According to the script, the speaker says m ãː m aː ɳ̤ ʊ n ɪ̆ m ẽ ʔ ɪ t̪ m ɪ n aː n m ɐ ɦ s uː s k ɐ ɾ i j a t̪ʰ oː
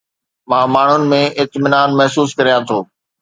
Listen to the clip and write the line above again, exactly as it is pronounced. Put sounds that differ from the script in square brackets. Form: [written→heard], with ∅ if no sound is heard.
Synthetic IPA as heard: m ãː m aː ɳ̤ ʊ n ɪ̆ m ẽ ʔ ɪ t̪ m ɪ n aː n m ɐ ɦ s uː s k ɐ ɾ i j a t̪ʰ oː